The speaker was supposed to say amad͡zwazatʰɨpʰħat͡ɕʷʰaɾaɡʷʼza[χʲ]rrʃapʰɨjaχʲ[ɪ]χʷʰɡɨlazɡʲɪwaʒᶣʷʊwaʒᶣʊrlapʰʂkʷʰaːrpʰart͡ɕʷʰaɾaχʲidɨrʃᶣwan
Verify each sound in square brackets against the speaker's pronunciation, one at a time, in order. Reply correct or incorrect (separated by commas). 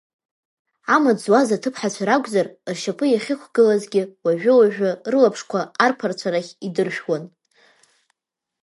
incorrect, correct